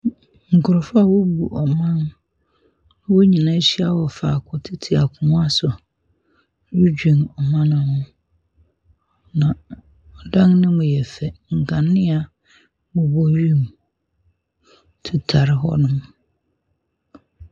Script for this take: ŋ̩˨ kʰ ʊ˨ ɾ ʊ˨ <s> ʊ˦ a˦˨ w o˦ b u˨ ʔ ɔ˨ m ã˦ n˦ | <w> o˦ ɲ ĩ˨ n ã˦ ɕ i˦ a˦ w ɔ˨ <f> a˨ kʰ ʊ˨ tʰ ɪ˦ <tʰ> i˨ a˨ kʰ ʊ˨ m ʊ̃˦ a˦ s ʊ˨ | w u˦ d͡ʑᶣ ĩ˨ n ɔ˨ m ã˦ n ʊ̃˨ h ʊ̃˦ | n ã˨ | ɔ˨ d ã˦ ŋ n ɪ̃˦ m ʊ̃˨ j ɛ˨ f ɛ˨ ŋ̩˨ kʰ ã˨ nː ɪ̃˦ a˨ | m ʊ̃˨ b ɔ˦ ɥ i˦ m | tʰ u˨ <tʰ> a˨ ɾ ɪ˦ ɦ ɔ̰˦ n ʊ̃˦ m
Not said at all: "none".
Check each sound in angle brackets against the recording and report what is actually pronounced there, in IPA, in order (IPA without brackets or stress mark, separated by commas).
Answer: f, w, f, tʰ, tʰ